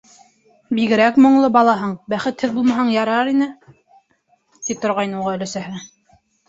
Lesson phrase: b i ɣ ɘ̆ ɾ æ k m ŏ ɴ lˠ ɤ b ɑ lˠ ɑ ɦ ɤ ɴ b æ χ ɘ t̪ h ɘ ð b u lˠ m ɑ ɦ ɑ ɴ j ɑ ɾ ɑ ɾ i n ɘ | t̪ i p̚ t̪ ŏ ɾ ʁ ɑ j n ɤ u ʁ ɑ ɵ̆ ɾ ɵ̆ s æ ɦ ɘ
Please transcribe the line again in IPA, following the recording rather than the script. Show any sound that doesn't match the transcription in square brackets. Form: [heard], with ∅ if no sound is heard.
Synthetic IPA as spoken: b i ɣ ɘ̆ ɾ æ k m ŏ ɴ lˠ ɤ b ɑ lˠ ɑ ɦ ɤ ɴ b æ χ ɘ t̪ h ɘ ð b u lˠ m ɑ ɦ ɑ ɴ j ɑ ɾ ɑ ɾ i n ɘ | t̪ i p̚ t̪ ŏ ɾ ʁ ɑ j n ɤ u ʁ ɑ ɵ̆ [l] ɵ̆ s æ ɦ ɘ